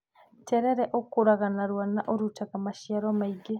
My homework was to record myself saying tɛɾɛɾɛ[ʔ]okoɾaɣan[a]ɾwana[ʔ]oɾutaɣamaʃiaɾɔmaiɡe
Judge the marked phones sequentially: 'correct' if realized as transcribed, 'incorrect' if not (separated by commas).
correct, correct, correct